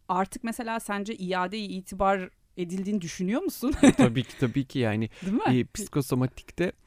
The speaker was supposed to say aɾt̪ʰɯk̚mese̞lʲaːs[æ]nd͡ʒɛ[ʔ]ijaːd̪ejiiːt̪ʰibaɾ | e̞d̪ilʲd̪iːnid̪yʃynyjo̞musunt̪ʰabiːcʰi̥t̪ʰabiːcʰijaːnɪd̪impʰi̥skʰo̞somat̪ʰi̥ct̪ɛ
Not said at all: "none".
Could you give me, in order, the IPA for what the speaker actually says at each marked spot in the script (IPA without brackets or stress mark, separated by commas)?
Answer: æ, ʔ